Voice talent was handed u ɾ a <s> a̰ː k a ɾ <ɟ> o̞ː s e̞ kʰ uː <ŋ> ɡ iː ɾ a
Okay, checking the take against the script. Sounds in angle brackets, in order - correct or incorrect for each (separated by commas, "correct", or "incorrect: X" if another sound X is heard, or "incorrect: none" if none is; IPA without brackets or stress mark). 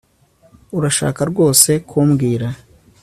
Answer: incorrect: ʃ, incorrect: ɡ, incorrect: m